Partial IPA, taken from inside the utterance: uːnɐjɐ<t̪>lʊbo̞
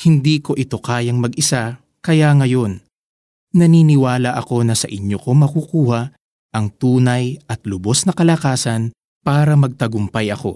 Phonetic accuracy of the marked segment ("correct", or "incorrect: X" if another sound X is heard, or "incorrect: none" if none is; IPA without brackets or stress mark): correct